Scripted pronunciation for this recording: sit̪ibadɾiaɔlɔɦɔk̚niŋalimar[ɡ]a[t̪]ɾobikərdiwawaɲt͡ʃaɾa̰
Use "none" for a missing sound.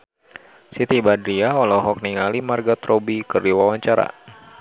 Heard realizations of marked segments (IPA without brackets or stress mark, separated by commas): ɡ, t̪